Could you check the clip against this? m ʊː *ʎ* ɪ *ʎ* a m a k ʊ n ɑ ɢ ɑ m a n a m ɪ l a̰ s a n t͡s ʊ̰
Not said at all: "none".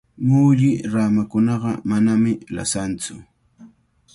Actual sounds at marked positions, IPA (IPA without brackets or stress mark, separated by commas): ʎ, ɾ